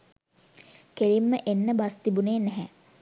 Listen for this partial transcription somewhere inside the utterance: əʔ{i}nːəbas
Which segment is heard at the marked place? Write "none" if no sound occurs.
e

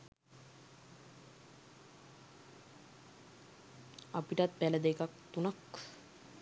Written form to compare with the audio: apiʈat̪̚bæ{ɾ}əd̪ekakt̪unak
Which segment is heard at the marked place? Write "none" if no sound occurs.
l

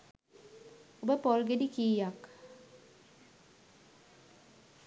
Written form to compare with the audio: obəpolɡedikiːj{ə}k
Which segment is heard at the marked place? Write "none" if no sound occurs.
a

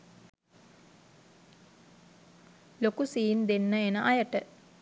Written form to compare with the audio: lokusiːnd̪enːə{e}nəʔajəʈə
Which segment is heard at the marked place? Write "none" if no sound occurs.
e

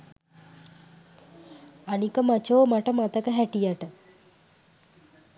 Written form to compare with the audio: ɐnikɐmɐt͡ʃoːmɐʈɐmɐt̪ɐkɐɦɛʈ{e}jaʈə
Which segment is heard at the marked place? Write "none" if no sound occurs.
i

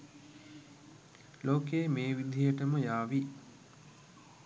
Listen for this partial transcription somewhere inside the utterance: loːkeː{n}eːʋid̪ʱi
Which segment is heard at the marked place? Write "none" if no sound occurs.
m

